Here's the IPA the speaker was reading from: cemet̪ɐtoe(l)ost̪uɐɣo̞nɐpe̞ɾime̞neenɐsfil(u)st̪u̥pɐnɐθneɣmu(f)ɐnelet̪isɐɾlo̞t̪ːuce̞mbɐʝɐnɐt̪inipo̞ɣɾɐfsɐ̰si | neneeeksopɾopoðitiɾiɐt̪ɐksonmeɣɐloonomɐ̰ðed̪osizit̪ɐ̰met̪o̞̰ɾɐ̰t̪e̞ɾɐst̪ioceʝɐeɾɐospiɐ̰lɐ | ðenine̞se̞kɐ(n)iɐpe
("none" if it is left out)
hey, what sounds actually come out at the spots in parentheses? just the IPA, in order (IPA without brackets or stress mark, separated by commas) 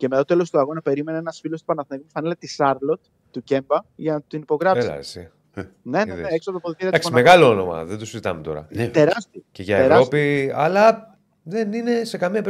l, o, f, m